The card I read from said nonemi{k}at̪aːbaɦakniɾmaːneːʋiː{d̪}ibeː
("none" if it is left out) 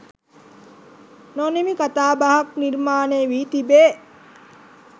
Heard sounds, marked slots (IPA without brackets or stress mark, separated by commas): k, t̪